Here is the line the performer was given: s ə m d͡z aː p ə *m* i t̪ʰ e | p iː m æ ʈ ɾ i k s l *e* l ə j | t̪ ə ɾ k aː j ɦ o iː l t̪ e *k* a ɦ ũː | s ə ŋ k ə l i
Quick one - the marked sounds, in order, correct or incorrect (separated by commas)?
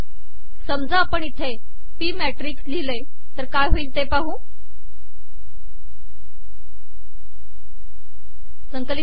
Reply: incorrect, incorrect, incorrect